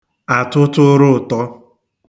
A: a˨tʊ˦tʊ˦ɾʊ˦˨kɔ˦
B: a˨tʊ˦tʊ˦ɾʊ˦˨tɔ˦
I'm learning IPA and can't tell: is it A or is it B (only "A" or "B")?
B